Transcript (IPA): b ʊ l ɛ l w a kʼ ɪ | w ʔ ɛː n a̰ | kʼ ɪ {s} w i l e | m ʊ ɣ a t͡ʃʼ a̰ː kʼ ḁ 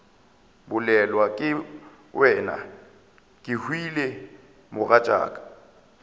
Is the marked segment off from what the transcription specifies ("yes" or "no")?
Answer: yes